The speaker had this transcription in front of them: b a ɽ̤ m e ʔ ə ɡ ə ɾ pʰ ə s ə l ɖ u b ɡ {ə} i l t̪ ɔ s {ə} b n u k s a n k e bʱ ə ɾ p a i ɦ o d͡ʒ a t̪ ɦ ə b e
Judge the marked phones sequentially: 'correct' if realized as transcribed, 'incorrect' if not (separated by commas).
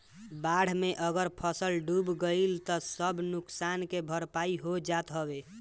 correct, correct